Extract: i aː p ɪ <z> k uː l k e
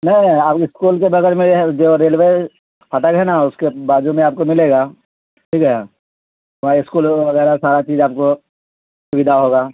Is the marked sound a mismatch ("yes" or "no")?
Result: yes